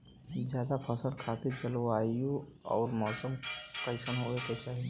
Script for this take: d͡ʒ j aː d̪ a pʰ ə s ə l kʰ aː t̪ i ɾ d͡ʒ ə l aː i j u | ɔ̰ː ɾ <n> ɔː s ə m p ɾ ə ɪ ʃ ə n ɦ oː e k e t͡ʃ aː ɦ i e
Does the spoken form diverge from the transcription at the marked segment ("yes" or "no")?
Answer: yes